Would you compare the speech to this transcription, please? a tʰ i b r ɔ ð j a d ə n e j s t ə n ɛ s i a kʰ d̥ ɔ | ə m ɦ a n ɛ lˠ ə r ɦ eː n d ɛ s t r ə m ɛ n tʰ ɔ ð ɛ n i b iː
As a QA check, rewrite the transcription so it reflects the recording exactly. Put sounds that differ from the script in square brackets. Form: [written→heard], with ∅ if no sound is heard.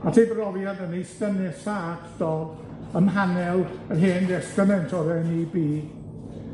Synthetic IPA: a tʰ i b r ɔ [ð→v] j a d ə n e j s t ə n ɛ s [i→a] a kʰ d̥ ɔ | ə m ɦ a n ɛ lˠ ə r ɦ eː n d ɛ s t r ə m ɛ n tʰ ɔ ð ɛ n i b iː